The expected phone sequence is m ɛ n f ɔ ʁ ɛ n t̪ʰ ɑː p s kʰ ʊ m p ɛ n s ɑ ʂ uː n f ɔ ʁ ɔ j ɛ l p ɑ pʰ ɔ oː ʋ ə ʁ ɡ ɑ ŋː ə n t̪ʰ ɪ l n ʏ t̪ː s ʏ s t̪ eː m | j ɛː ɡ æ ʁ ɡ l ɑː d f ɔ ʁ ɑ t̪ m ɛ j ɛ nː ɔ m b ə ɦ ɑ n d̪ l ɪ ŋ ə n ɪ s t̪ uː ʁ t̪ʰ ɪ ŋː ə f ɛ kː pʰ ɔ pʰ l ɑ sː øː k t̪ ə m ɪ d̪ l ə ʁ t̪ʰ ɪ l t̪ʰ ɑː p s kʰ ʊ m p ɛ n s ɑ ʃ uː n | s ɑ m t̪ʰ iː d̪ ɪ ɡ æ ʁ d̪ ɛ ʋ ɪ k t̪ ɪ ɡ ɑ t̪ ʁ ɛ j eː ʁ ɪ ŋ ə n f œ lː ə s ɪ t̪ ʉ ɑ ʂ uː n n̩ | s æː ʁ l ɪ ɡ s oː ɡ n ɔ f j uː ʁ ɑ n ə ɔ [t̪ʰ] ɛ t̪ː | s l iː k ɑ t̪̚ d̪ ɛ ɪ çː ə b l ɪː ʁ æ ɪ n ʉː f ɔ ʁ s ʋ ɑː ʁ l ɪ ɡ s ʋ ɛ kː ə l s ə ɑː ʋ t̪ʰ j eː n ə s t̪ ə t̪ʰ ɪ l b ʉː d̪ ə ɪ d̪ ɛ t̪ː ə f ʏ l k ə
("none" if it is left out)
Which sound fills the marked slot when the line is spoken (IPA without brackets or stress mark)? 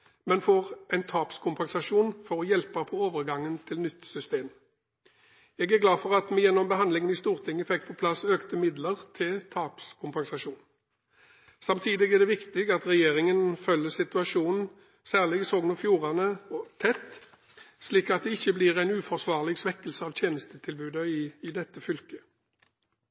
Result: t̪ʰ